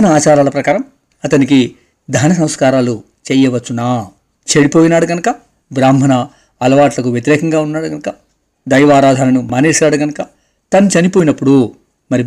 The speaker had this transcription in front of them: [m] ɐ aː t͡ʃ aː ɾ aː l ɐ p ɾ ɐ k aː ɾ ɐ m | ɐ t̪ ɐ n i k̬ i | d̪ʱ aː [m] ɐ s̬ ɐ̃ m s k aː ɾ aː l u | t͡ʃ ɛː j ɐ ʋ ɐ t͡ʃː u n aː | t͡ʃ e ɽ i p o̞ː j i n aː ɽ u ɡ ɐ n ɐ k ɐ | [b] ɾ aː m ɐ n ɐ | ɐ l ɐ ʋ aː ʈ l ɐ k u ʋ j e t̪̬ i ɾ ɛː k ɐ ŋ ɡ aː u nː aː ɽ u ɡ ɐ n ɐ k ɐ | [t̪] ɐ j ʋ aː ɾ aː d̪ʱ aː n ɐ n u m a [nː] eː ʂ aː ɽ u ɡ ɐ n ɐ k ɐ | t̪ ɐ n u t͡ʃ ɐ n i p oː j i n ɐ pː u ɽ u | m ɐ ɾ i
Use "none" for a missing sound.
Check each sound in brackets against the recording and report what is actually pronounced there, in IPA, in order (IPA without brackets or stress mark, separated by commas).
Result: n, n, b, d̪, n